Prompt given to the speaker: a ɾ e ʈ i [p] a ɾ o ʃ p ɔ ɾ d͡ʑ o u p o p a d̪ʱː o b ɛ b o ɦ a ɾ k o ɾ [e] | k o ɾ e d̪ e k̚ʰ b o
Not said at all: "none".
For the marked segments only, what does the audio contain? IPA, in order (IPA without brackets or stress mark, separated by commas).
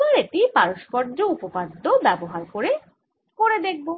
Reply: p, e